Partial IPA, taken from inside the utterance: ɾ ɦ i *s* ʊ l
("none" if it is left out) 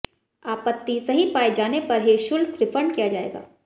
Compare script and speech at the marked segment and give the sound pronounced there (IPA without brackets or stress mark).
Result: ʃ